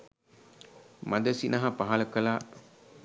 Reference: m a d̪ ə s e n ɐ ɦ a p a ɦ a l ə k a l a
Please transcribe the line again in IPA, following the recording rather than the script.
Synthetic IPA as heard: m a d̪ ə s i n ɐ ɦ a p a ɦ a l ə k ə l a